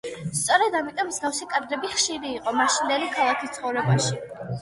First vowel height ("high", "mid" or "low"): mid